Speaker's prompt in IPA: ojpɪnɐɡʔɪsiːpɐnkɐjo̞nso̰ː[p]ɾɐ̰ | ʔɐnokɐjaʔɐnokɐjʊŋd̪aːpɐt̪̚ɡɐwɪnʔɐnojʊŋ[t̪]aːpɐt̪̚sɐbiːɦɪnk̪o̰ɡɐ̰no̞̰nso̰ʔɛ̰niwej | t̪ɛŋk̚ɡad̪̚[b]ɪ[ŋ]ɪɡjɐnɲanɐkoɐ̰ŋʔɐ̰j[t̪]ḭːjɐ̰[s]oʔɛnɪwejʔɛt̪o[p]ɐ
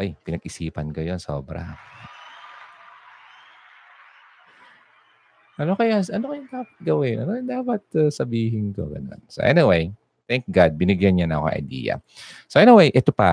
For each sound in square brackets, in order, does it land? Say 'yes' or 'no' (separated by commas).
no, no, yes, no, no, yes, yes